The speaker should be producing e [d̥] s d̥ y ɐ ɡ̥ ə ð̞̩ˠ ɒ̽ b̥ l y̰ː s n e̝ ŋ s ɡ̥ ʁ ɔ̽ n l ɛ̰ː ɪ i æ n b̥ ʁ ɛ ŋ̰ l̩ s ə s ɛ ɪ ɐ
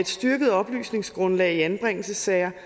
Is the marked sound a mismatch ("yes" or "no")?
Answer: no